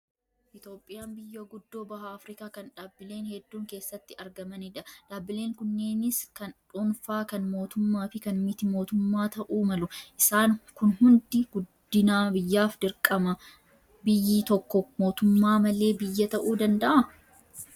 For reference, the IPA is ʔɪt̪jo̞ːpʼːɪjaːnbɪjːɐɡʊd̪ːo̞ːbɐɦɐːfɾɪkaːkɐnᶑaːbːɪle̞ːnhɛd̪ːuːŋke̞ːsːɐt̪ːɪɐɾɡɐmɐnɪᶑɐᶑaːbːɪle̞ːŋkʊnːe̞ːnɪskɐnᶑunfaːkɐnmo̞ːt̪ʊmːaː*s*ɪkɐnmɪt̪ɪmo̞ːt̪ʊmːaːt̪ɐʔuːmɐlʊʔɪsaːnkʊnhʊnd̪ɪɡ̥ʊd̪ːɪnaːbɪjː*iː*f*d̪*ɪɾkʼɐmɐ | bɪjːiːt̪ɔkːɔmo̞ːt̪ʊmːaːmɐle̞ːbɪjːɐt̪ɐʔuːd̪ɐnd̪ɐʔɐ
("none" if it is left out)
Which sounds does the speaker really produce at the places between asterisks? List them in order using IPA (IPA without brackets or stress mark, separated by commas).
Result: f, aː, d̪